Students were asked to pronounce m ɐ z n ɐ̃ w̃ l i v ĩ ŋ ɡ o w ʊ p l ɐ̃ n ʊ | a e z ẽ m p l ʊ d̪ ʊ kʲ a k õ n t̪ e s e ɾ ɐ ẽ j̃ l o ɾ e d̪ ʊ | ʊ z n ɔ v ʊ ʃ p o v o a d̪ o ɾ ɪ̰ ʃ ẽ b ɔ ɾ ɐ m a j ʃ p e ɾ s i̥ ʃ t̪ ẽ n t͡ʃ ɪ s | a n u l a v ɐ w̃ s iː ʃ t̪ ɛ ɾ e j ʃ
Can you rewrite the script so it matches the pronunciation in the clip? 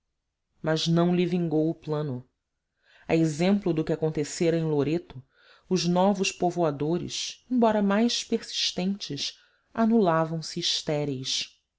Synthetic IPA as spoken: m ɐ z n ɐ̃ w̃ l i v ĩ ŋ ɡ o w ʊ p l ɐ̃ n ʊ | a e z ẽ m p l ʊ d̪ ʊ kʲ a k õ n t̪ e s e ɾ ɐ ẽ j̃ l o ɾ e t̪ ʊ | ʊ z n ɔ v ʊ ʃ p o v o a d̪ o ɾ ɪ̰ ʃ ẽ b ɔ ɾ ɐ m a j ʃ p e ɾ s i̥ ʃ t̪ ẽ n t͡ʃ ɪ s | a n u l a v ɐ̃ w̃ s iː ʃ t̪ ɛ ɾ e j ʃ